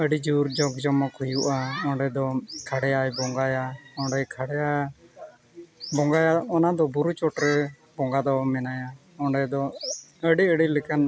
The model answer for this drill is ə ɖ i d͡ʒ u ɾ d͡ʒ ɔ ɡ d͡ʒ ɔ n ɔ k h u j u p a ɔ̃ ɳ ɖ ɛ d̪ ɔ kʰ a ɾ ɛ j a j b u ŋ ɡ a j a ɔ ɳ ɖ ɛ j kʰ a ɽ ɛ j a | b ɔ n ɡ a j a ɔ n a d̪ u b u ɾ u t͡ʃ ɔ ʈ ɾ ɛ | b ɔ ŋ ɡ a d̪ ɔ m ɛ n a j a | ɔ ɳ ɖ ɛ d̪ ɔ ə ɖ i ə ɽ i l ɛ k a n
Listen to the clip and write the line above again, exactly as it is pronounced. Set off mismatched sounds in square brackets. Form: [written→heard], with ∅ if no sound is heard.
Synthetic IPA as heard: ə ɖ i d͡ʒ u ɾ d͡ʒ ɔ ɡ d͡ʒ ɔ [n→m] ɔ k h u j u [p→ʔ] a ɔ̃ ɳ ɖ ɛ d̪ ɔ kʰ a [ɾ→ɽ] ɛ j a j b [u→ɔ] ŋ ɡ a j a ɔ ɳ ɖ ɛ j kʰ a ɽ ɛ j a | b ɔ [n→ŋ] ɡ a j a ɔ n a d̪ [u→ɔ] b u ɾ u t͡ʃ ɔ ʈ ɾ ɛ | b ɔ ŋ ɡ a d̪ ɔ m ɛ n a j a | ɔ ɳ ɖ ɛ d̪ ɔ ə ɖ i ə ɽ i l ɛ k a n